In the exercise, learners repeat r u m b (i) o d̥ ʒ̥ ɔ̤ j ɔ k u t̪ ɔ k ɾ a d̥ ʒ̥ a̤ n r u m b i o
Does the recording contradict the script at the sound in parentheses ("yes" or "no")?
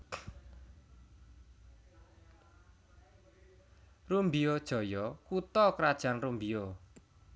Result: no